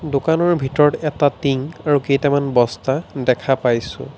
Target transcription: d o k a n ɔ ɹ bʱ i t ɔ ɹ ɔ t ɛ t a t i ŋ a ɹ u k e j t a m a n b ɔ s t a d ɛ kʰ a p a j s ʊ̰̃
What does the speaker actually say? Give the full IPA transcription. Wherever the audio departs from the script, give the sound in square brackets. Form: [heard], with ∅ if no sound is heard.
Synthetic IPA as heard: d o k a n ɔ ɹ bʱ i t ɔ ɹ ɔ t ɛ t a t i ŋ a ɹ u k e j t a m a n b ɔ s t a d ɛ kʰ a p a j s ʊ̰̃